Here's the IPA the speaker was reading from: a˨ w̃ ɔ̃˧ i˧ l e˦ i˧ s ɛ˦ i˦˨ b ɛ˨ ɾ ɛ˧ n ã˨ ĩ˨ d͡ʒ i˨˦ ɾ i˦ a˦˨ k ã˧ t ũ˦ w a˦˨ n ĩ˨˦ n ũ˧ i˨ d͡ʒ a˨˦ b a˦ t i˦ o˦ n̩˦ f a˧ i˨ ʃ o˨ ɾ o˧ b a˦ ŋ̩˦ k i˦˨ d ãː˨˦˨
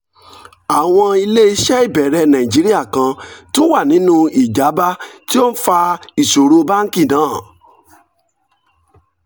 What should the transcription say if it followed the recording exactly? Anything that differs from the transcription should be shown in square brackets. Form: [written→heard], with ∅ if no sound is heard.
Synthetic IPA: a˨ w̃ ɔ̃˧ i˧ l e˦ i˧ [s→ʃ] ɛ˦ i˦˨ b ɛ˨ ɾ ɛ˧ n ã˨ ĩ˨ d͡ʒ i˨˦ ɾ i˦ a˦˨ k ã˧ t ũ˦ w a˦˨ n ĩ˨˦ n ũ˧ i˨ d͡ʒ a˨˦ b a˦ t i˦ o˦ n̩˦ f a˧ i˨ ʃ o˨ ɾ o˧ b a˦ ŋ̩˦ k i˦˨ [d→n] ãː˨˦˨